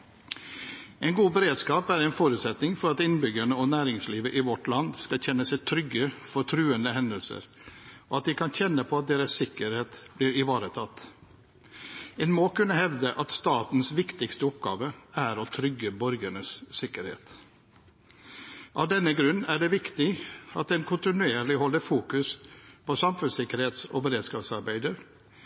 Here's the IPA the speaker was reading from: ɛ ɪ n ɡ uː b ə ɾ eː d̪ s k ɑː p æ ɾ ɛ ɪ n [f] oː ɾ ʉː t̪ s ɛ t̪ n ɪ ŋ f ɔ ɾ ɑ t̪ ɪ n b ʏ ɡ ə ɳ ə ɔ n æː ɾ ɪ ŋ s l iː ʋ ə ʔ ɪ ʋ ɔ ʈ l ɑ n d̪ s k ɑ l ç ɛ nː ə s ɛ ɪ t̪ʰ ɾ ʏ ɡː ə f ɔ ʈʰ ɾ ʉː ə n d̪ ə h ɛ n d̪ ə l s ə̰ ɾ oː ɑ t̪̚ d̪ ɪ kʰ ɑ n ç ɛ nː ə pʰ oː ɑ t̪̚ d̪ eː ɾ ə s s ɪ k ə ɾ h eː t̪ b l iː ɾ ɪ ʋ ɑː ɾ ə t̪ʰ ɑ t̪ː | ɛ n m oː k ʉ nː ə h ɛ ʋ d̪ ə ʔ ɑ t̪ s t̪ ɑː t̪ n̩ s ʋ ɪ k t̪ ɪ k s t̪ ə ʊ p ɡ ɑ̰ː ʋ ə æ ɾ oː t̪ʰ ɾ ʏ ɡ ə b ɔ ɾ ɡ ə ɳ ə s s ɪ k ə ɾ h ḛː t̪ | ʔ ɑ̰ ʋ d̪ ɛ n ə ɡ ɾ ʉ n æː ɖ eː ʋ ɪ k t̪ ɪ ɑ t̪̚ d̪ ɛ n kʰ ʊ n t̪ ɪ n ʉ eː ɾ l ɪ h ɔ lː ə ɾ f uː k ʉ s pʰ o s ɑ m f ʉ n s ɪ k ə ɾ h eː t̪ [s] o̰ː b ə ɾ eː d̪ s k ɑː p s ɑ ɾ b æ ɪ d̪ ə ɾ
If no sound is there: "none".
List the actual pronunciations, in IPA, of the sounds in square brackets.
f, s

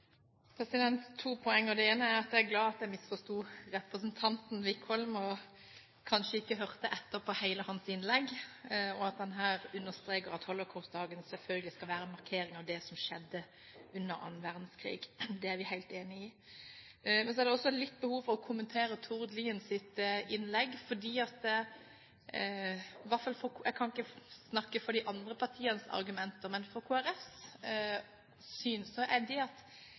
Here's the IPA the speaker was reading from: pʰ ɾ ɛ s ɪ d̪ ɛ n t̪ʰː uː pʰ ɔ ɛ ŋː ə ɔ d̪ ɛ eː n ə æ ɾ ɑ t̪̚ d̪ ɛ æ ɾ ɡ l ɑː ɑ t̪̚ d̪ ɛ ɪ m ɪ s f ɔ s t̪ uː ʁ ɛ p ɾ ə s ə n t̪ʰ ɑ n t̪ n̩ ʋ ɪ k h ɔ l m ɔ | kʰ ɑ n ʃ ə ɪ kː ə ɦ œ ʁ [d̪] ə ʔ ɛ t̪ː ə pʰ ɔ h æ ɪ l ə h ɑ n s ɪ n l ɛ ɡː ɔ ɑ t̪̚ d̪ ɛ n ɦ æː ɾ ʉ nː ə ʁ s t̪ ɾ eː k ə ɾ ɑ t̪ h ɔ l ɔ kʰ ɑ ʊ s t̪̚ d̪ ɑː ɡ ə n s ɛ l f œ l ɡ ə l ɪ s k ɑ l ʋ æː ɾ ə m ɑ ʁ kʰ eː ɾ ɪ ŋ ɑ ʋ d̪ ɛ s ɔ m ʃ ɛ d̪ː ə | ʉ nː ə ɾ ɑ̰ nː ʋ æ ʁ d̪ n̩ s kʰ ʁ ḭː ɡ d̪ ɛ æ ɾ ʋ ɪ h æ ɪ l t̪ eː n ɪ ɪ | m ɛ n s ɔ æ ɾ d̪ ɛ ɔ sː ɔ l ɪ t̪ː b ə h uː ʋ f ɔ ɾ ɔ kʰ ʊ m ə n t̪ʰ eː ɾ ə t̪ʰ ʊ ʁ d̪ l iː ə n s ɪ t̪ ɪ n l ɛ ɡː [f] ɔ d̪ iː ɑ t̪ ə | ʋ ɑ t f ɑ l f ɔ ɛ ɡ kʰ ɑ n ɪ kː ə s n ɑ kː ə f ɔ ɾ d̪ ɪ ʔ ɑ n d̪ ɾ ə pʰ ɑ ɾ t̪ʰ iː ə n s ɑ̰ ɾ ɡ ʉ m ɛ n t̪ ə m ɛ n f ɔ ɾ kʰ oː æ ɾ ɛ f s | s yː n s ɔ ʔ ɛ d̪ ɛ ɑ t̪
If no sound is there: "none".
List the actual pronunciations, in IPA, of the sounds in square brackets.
t̪, f

